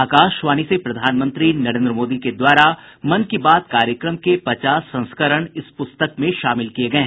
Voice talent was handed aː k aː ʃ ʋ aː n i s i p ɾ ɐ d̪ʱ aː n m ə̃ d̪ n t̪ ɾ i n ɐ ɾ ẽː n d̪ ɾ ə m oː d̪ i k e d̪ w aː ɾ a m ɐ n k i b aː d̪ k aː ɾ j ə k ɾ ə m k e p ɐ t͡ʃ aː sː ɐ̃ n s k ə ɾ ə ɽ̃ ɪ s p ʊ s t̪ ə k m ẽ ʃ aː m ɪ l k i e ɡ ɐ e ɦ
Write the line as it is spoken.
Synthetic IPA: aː k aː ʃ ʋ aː n i s e p ɾ ɐ d̪ʱ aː n m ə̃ n t̪ ɾ i n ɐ ɾ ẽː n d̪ ɾ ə m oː d̪ i k e d̪ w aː ɾ a m ɐ n k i b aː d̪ k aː ɾ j ə k ɾ ə m k e p ɐ t͡ʃ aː sː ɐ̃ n s k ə ɾ ə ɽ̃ ɪ s p ʊ s t̪ ə k m ẽ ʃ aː m ɪ l k i e ɡ ɐ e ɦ

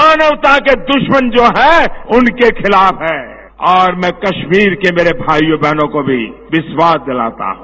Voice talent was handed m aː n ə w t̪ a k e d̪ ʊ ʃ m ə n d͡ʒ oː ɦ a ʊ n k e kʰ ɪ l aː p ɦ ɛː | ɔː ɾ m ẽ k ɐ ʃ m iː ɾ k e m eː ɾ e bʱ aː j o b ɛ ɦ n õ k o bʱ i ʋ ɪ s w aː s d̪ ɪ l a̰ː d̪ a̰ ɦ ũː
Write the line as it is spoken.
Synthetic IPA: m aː n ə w t̪ a k e d̪ ʊ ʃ m ə n d͡ʒ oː ɦ ɛ ʊ n k e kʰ ɪ l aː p ɦ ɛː | ɔː ɾ m ɛ̃ k ɐ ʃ m iː ɾ k e m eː ɾ e bʱ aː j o b ɛ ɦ n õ k o bʱ i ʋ ɪ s w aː s d̪ ɪ l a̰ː t̪ a̰ ɦ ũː

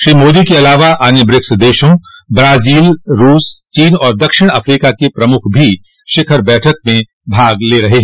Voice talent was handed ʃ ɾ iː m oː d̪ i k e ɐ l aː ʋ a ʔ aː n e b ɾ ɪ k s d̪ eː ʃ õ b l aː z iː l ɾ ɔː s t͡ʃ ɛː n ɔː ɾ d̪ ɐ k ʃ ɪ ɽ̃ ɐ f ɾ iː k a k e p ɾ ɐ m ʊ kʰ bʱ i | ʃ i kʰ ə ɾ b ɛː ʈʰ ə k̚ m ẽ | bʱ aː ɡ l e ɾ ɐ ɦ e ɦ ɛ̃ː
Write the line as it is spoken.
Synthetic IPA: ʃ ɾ iː m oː d̪ i k e ɐ l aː ʋ a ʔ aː n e b ɾ ɪ k s d̪ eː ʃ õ b ɾ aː z iː l ɾ uː s t͡ʃ iː n ɔː ɾ d̪ ɐ k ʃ ɪ ɽ̃ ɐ f ɾ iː k a k e p ɾ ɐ m ʊ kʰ bʱ i | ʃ ɪ kʰ ə ɾ b ɛː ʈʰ ə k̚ m ẽ | bʱ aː ɡ l e ɾ ɐ ɦ e ɦ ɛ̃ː

